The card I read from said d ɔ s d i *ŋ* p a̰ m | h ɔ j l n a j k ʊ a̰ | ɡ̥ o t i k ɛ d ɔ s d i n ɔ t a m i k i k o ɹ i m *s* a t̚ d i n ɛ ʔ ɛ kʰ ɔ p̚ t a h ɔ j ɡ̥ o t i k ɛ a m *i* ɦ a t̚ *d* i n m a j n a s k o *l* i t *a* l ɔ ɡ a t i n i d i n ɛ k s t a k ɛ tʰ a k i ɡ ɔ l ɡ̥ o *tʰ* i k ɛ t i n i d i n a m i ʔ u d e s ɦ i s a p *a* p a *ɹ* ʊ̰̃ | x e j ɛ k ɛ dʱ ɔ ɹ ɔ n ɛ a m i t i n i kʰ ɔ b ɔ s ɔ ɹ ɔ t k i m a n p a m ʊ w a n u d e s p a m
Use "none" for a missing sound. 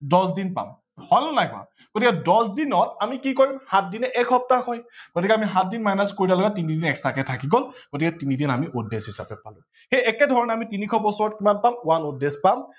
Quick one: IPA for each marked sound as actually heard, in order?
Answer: n, h, i, d, ɹ, a, t, ɛ, l

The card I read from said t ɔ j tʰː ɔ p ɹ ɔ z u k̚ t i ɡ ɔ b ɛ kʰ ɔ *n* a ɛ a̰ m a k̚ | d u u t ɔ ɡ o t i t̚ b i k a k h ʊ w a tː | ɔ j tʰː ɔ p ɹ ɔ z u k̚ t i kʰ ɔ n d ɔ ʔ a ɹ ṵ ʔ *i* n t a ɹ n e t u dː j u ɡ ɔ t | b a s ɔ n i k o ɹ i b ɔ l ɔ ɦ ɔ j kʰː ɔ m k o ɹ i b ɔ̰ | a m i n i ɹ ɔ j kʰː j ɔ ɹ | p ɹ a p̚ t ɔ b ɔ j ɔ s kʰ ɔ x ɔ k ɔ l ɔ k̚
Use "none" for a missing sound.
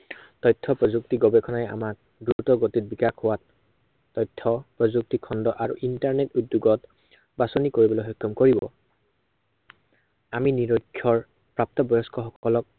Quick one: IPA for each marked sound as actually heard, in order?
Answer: n, i

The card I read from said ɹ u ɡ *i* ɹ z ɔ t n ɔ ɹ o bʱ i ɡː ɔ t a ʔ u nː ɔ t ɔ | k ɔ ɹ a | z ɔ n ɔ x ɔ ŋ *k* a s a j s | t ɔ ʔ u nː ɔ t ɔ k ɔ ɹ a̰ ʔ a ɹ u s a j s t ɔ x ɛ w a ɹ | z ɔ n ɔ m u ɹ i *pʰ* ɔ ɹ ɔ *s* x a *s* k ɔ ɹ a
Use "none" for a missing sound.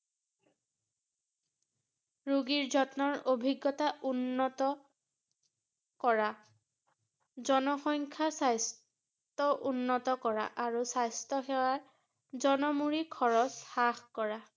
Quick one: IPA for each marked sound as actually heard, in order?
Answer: i, kʰ, kʰ, s, x

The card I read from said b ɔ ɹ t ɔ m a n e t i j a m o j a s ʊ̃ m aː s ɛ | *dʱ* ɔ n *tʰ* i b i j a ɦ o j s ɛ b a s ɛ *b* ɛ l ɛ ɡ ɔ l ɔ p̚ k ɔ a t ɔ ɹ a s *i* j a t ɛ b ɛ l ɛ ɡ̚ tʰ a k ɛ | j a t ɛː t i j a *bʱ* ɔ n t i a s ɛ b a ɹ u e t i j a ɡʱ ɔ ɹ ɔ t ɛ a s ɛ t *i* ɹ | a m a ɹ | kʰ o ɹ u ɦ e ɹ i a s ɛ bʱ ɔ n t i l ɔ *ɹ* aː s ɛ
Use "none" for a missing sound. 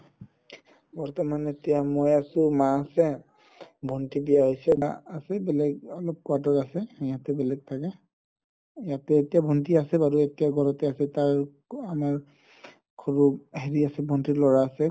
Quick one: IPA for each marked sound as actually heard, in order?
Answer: bʱ, t, b, ɛ, bʱ, a, ɹ

